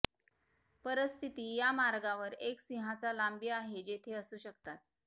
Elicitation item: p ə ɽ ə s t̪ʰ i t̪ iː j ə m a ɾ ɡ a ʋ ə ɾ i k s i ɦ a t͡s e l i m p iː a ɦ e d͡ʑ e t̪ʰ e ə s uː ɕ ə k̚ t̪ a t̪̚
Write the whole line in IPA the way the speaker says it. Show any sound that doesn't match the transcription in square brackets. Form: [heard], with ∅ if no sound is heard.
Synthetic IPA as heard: p ə [ɾ] ə s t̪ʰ i t̪ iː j [a] m a ɾ ɡ a ʋ ə ɾ [e] k s i ɦ a t͡s [a] l [a] m [b] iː a ɦ e d͡ʑ e t̪ʰ e ə s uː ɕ ə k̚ t̪ a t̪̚